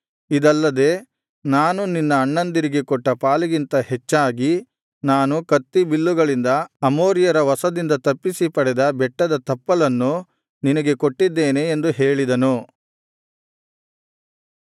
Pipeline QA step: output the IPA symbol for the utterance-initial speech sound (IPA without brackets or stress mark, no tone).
i